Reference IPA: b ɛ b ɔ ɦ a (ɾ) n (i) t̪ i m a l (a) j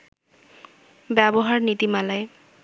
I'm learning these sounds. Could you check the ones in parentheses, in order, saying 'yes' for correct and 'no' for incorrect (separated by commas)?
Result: no, yes, yes